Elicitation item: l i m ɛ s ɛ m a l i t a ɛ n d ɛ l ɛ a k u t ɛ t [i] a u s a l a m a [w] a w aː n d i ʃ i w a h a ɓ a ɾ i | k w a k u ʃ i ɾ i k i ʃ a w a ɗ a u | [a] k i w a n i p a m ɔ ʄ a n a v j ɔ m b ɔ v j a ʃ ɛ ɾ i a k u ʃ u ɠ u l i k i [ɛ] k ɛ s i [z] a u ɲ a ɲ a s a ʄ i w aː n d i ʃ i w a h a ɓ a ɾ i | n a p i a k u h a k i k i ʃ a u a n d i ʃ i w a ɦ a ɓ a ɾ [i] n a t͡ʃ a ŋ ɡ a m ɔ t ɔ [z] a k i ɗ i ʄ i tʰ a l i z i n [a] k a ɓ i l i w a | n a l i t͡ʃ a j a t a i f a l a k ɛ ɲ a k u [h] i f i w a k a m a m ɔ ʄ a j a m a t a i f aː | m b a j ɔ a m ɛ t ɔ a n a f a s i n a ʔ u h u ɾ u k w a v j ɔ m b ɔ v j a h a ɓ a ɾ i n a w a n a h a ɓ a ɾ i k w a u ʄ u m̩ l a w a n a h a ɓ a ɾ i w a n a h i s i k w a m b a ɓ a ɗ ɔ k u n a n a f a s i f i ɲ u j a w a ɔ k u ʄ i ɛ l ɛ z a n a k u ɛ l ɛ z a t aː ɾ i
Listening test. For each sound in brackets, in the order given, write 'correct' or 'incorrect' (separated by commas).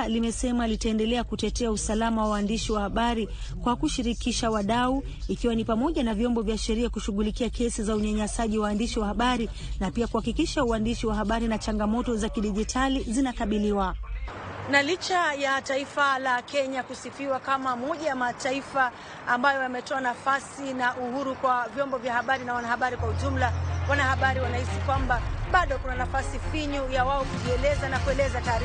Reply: incorrect, correct, incorrect, incorrect, correct, correct, correct, correct, incorrect